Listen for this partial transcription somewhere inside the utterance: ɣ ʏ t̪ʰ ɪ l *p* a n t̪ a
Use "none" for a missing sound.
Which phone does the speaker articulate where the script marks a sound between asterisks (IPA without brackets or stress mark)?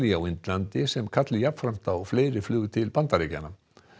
p